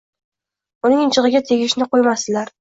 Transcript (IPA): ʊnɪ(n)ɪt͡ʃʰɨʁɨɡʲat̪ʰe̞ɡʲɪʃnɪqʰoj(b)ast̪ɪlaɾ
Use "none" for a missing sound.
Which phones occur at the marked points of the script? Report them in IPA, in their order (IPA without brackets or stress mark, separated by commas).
ŋ, m